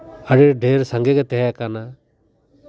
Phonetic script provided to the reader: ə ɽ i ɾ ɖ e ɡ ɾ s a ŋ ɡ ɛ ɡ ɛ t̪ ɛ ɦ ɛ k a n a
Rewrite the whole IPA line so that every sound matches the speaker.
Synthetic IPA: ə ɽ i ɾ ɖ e ɾ s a ŋ ɡ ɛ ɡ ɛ t̪ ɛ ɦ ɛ k a n a